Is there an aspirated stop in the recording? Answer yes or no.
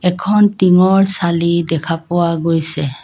yes